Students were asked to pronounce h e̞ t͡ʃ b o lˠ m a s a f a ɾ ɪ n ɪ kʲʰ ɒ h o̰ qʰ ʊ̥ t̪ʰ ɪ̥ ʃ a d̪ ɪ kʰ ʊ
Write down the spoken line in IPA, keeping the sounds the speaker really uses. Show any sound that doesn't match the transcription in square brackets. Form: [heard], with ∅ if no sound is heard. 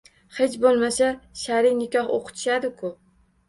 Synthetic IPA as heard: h e̞ t͡ʃ b o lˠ m a s a [ʃ] a ɾ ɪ n ɪ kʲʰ ɒ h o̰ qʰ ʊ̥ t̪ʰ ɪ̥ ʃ a d̪ ɪ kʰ ʊ

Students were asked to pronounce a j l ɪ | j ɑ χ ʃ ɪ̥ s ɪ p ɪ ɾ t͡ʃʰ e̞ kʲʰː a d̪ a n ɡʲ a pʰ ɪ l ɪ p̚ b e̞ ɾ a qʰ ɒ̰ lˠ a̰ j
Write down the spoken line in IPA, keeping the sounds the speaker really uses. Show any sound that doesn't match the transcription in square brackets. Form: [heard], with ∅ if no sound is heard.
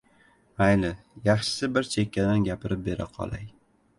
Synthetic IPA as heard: a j l ɪ | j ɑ χ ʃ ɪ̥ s ɪ [b] ɪ ɾ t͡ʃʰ e̞ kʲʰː a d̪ a n ɡʲ a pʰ ɪ [ɾ] ɪ p̚ b e̞ ɾ a qʰ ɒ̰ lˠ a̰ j

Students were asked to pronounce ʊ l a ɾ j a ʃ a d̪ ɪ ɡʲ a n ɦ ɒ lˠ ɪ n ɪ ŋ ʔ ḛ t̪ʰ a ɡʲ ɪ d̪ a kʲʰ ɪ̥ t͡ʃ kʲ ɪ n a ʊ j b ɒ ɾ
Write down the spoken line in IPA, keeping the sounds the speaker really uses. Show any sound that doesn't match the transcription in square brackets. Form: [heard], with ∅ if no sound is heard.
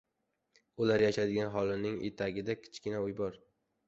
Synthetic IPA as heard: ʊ l a ɾ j a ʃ a d̪ ɪ ɡʲ a n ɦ ɒ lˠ ɪ n ɪ ŋ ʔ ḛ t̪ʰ a ɡʲ ɪ d̪ a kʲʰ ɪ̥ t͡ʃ kʲ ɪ n a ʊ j b ɒ ɾ

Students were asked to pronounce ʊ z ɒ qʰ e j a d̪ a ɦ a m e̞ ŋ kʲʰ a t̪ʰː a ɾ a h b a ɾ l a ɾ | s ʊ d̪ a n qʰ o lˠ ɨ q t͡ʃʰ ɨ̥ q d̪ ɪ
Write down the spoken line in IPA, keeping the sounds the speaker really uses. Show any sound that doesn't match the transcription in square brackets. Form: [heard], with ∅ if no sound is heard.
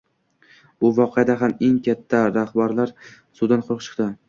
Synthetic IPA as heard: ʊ [v] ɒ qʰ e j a d̪ a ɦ a m e̞ ŋ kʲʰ a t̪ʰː a ɾ a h b a ɾ l a ɾ | s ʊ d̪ a n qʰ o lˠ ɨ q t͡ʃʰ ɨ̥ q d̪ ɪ

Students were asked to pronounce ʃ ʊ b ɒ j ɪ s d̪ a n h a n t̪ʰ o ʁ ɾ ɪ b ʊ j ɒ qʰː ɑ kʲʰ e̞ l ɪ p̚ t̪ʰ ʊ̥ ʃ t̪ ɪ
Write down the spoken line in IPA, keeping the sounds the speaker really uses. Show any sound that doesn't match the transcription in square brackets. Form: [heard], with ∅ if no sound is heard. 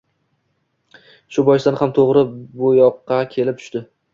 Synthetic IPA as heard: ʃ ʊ b ɒ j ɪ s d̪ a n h a [m] t̪ʰ o ʁ ɾ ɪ b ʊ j ɒ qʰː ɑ kʲʰ e̞ l ɪ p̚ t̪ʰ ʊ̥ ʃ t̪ ɪ

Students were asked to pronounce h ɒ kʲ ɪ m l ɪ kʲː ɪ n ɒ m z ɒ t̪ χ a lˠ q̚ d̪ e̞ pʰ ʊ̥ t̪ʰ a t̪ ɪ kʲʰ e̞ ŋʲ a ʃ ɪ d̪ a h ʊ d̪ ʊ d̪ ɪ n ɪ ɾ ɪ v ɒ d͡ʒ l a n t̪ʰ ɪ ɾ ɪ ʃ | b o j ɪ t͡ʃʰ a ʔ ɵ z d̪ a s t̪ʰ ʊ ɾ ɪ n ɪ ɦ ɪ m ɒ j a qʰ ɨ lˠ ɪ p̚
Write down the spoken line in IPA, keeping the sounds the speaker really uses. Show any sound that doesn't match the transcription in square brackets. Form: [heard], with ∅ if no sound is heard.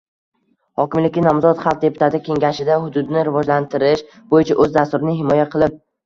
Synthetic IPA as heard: h ɒ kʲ ɪ m l ɪ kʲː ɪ n ɒ m z ɒ t̪ χ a lˠ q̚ d̪ e̞ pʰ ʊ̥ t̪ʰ a t̪ ɪ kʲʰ e̞ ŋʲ a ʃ ɪ d̪ a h ʊ d̪ ʊ d̪ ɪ n ɪ ɾ ɪ v ɒ d͡ʒ l a n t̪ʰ ɪ ɾ ɪ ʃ | b o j ɪ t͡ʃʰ a ʔ ɵ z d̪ a s [t̪] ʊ ɾ ɪ n ɪ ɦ ɪ m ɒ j a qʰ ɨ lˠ ɪ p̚

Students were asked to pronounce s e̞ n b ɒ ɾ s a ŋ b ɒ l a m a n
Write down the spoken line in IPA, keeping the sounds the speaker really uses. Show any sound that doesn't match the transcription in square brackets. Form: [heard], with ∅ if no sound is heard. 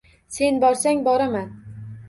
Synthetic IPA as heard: s e̞ n b ɒ ɾ s a ŋ b ɒ [ɾ] a m a n

